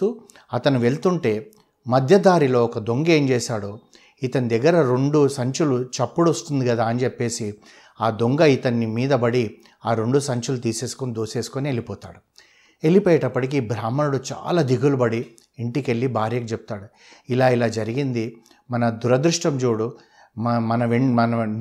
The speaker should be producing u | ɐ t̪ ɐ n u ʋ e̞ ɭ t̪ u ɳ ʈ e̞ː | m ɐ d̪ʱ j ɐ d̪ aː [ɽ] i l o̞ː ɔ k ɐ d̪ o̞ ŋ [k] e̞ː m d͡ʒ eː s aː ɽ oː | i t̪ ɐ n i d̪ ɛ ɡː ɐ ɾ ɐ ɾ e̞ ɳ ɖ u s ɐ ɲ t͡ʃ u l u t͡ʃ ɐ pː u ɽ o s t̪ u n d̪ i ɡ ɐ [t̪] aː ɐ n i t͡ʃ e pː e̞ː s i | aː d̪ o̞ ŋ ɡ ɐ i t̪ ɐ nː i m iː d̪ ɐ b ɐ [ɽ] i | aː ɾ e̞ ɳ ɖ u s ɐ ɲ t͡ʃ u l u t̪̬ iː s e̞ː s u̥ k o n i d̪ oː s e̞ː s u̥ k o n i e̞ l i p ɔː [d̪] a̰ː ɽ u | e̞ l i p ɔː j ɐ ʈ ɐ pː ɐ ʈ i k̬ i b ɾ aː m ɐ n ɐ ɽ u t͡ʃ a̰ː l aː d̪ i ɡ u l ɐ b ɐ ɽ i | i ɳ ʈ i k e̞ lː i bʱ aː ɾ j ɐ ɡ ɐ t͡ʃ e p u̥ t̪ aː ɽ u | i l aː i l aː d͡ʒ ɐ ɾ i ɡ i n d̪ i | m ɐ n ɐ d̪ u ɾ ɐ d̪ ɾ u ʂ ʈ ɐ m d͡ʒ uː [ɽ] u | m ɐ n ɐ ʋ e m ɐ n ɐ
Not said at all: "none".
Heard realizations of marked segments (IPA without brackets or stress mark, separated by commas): ɾ, ɡ, d̪, ɽ, t̪, ɽ